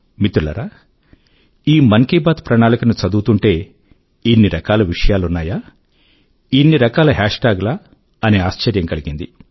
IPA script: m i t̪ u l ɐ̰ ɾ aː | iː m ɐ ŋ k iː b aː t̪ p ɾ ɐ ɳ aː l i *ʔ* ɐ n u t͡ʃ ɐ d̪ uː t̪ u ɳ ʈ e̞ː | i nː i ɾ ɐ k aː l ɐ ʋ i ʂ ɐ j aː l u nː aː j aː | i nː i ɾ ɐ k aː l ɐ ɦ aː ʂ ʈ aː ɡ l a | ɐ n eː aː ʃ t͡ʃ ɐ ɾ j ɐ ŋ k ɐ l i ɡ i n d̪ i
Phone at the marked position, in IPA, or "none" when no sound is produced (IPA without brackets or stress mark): k